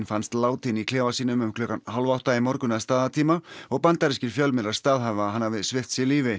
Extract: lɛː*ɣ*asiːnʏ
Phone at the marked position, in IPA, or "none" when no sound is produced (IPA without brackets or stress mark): v